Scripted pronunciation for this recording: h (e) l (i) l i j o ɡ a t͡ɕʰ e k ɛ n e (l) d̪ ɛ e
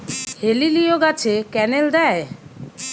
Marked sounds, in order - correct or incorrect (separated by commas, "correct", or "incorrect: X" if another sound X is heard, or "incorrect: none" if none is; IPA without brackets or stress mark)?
correct, correct, correct